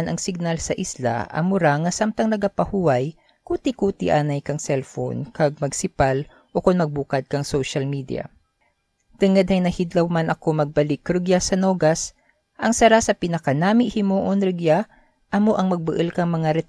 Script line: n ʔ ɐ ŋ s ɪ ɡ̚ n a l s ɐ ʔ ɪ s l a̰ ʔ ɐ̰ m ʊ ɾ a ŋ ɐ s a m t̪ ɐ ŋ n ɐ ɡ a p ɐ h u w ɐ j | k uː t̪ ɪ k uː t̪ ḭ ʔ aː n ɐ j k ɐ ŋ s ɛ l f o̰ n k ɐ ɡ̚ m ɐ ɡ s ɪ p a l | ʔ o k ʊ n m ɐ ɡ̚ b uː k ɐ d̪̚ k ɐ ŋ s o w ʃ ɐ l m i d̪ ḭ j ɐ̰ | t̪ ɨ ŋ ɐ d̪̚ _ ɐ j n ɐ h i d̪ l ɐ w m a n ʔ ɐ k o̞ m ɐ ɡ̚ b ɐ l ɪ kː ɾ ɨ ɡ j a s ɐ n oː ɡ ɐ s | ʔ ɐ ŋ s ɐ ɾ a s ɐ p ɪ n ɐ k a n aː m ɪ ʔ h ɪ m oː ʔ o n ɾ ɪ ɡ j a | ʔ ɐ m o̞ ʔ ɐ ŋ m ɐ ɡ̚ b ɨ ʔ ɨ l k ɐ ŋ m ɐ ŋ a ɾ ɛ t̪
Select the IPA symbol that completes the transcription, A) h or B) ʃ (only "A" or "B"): A